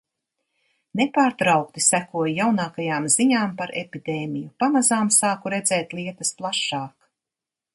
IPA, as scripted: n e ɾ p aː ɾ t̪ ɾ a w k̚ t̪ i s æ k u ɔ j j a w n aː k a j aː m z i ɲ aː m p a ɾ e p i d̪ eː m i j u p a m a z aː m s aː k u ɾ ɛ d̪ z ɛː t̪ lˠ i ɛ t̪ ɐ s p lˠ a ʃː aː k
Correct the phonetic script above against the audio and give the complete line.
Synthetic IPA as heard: n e p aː ɾ t̪ ɾ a w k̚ t̪ i s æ k u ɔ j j a w n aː k a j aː m z i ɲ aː m p a ɾ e p i d̪ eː m i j u p a m a z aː m s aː k u ɾ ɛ d̪ z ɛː t̪ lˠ i ɛ t̪ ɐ s p lˠ a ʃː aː k